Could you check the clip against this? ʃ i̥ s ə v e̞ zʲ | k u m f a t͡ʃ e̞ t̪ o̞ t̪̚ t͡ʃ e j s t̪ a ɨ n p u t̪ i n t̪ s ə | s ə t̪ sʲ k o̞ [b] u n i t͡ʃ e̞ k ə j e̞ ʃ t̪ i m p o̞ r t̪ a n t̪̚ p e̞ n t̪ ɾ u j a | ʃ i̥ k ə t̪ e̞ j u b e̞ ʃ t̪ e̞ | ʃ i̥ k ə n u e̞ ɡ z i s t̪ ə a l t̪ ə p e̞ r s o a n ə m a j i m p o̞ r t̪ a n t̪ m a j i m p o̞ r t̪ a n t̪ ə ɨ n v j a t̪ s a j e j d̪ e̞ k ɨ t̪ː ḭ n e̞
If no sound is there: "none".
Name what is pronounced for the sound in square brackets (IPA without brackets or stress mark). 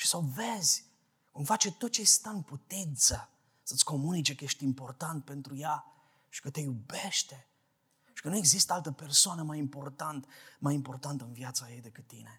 m